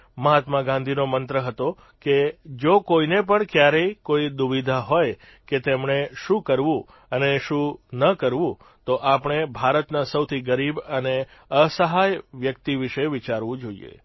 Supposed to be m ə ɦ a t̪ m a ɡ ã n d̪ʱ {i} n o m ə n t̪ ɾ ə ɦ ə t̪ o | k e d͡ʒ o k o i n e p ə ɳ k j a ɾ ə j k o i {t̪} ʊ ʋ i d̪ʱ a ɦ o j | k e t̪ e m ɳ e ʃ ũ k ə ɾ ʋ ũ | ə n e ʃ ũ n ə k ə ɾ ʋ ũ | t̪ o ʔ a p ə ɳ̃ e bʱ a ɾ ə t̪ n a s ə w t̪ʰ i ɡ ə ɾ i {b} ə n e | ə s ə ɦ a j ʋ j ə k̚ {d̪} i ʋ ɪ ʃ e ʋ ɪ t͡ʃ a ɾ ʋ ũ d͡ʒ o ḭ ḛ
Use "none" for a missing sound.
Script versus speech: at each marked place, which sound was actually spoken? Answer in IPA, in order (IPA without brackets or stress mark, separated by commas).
i, d̪, b, t̪